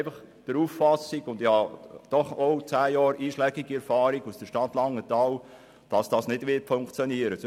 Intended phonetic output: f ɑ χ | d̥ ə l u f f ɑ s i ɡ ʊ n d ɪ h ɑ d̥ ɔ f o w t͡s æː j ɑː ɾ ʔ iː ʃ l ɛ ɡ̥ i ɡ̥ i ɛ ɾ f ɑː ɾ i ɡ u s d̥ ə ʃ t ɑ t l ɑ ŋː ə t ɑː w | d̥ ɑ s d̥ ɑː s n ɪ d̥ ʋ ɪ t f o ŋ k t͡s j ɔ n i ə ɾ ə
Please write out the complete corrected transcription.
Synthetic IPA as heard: f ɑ χ | d̥ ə ɾ u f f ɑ s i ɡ ʊ n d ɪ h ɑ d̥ ɔ χ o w t͡s æː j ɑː ɾ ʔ iː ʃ l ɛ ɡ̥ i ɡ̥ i ɛ ɾ f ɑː ɾ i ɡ u s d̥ ə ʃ t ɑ t l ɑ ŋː ə t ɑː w | d̥ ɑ s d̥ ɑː s n ɪ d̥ ʋ ɪ t f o ŋ k t͡s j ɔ n i ə ɾ ə